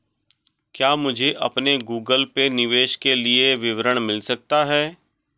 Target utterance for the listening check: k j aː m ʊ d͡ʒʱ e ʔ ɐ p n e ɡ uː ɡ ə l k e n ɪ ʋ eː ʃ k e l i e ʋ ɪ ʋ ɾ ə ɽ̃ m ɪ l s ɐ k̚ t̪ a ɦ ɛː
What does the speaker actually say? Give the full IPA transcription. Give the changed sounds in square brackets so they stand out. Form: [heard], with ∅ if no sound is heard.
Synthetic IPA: k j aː m ʊ d͡ʒʱ e ʔ ɐ p n e ɡ uː ɡ ə l [p] e n ɪ ʋ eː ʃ k e l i e ʋ ɪ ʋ ɾ ə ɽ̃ m ɪ l s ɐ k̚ t̪ a ɦ ɛː